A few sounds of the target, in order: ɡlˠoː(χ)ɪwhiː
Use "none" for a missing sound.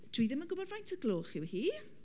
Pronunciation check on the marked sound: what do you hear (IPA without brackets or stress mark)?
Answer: χ